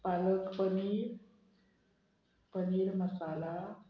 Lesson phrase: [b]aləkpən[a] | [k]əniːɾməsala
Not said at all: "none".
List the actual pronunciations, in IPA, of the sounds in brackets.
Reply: p, i, p

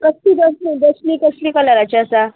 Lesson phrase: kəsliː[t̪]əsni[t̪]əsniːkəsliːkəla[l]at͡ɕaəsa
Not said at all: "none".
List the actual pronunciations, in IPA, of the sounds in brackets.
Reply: d̪, d̪, ɾ

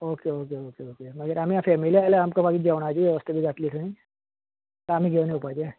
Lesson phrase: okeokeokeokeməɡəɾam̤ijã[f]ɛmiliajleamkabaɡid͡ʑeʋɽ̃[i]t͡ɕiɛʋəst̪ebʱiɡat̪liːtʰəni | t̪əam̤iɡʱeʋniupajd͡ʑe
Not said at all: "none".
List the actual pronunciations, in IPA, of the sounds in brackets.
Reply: f, a

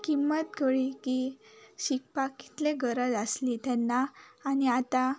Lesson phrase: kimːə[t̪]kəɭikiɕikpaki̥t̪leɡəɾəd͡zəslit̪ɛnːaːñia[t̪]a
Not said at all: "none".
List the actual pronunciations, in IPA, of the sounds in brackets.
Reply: t̪, t̪

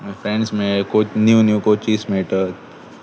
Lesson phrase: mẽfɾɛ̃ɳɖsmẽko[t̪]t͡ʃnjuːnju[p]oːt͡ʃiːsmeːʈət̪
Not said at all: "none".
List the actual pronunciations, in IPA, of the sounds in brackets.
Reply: none, k

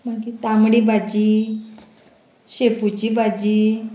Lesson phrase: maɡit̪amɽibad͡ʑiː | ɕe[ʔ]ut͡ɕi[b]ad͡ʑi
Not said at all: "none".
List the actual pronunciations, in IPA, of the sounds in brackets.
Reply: p, b

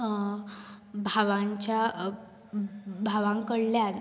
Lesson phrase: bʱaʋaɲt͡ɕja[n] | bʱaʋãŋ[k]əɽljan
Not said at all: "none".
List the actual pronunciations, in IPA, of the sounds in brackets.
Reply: none, k

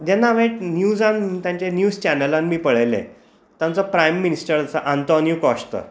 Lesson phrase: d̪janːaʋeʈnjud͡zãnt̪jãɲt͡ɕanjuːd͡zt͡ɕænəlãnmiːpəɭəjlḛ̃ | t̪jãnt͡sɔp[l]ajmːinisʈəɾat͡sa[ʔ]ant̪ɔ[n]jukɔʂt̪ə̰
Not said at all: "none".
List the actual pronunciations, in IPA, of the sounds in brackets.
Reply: ɾ, ʔ, n

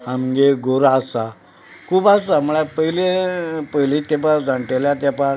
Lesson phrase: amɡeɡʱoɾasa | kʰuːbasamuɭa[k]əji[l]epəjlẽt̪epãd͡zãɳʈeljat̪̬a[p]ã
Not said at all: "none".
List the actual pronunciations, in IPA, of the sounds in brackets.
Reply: p, l, p

